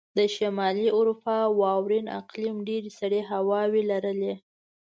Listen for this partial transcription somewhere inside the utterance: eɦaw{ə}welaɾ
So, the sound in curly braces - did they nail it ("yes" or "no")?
no